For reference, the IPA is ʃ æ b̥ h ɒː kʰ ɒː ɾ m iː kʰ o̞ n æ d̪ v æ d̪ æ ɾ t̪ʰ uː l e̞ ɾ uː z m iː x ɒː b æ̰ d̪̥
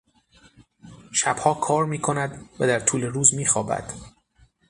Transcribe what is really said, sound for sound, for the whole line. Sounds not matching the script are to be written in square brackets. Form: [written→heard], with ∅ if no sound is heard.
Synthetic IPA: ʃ æ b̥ h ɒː kʰ ɒː ɾ m iː kʰ o̞ n æ d̪ v æ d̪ æ ɾ t̪ʰ uː l e̞ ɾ uː z m iː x ɒː b æ̰ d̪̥

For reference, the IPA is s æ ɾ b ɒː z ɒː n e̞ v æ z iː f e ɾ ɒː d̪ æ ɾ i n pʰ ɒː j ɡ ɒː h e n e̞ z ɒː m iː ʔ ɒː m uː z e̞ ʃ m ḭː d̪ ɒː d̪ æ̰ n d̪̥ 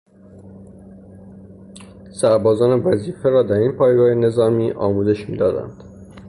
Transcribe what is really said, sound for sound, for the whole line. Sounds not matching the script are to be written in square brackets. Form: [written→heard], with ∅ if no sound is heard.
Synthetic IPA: s æ ɾ b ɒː z ɒː n e̞ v æ z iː f e ɾ ɒː d̪ æ ɾ i n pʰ ɒː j ɡ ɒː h e n e̞ z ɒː m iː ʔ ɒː m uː z e̞ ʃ m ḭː d̪ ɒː d̪ æ̰ n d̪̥

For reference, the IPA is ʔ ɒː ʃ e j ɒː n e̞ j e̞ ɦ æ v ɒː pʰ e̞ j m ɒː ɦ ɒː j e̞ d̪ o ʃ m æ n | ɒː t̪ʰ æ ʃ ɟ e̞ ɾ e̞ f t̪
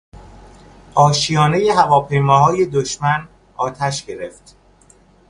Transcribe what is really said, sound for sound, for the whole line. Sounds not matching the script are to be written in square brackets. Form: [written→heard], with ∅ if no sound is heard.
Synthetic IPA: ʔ ɒː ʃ [e→i] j ɒː n e̞ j e̞ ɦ æ v ɒː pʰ e̞ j m ɒː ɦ ɒː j e̞ d̪ o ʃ m æ n | ɒː t̪ʰ æ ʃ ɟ e̞ ɾ e̞ f t̪

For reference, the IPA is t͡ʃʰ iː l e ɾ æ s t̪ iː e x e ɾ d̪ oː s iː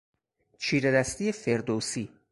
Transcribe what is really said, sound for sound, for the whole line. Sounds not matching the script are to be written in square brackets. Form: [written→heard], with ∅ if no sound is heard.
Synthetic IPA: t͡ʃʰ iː [l→ɾ] e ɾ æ s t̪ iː e [x→f] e ɾ d̪ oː s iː

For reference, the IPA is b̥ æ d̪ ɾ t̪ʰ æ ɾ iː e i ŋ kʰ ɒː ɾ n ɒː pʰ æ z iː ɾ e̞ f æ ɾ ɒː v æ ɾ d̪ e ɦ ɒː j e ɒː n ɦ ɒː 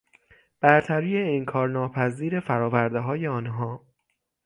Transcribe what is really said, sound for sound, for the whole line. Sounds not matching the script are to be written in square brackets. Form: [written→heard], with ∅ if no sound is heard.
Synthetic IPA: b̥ æ [d̪→∅] ɾ t̪ʰ æ ɾ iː e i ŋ kʰ ɒː ɾ n ɒː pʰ æ z iː ɾ e̞ f æ ɾ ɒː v æ ɾ d̪ e ɦ ɒː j e ɒː n ɦ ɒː

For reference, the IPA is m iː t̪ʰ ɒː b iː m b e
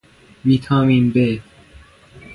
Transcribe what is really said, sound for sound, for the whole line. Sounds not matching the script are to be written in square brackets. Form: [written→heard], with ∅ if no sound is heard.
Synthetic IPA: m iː t̪ʰ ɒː [b→m] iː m b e

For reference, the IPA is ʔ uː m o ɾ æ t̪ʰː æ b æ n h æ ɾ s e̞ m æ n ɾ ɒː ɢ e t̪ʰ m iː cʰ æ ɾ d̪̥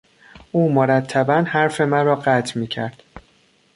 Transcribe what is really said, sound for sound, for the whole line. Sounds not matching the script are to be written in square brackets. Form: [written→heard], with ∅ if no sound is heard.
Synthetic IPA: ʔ uː m o ɾ æ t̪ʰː æ b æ n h æ ɾ [s→f] e̞ m æ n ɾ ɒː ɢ [e→æ] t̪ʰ m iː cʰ æ ɾ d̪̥

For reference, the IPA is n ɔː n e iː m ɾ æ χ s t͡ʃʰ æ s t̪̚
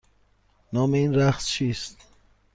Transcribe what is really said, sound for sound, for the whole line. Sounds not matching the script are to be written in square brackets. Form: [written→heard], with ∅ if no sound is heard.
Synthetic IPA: n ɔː [n→m] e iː [m→n] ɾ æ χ s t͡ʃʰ [æ→i] s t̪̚

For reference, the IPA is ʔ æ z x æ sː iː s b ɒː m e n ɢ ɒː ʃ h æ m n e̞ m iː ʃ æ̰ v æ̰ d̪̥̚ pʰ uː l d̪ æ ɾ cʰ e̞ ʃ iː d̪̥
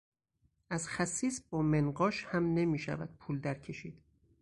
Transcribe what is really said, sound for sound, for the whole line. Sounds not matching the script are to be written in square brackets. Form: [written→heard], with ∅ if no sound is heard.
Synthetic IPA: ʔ æ z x æ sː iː s b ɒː m e n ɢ ɒː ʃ h æ m n e̞ m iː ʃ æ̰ v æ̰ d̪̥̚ pʰ uː l d̪ æ ɾ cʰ e̞ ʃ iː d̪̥

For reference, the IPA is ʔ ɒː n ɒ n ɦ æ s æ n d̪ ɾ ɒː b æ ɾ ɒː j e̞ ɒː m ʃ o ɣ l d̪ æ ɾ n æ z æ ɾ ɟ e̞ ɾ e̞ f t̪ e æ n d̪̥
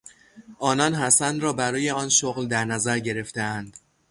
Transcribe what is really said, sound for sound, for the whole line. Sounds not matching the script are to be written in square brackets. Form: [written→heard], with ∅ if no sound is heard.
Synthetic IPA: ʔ ɒː n ɒ n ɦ æ s æ n d̪ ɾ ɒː b æ ɾ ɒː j e̞ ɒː [m→n] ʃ o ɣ l d̪ æ ɾ n æ z æ ɾ ɟ e̞ ɾ e̞ f t̪ e æ n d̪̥

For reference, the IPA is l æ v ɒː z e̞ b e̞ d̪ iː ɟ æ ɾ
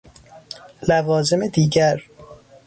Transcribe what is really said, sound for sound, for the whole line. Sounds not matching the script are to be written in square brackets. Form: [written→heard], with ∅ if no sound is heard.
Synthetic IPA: l æ v ɒː z e̞ [b→m] e̞ d̪ iː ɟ æ ɾ

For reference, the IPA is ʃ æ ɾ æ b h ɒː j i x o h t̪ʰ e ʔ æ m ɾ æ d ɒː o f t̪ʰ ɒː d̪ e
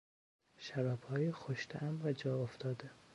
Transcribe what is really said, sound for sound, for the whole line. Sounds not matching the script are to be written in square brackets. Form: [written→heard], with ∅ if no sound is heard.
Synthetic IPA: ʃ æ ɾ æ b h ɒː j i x o [h→ʃ] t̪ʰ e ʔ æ m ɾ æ [d→d͡ʒ] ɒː o f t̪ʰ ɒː d̪ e

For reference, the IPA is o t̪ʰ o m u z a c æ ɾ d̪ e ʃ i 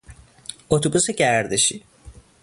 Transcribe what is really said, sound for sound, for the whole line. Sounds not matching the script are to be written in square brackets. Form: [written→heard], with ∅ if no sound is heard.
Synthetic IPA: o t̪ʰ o [m→b] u [z→s] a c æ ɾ d̪ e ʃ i

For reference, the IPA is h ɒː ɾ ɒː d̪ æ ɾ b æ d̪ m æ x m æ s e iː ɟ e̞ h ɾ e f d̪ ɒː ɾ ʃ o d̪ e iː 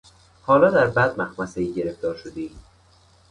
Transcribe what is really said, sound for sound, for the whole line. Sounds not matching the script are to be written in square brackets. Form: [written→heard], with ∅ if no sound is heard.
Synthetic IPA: h ɒː [ɾ→l] ɒː d̪ æ ɾ b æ d̪ m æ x m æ s e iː ɟ e̞ [h→∅] ɾ e f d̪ ɒː ɾ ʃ o d̪ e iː

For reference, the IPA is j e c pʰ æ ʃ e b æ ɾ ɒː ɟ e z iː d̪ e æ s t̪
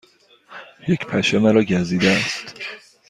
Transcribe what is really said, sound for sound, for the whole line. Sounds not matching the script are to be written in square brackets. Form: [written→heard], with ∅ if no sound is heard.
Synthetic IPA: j e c pʰ æ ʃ e [b→m] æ ɾ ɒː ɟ [e→æ] z iː d̪ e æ s t̪

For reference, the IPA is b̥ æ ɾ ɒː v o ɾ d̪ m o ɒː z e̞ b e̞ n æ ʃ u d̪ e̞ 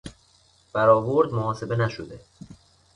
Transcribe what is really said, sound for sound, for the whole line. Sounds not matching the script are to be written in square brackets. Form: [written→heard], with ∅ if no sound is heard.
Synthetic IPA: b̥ æ ɾ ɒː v o ɾ d̪ m o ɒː [z→s] e̞ b e̞ n æ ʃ [u→o] d̪ e̞

